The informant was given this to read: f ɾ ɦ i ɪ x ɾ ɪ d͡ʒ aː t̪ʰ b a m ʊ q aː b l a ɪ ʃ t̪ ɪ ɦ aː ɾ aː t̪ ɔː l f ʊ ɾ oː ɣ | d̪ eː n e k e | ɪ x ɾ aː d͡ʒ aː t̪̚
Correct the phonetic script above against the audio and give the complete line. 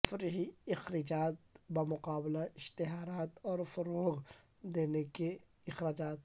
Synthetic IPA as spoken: f ɾ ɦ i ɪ x ɾ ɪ d͡ʒ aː t̪ b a m ʊ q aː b l a ɪ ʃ t̪ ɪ ɦ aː ɾ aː t̪ ɔː ɾ f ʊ ɾ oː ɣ | d̪ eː n e k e | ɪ x ɾ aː d͡ʒ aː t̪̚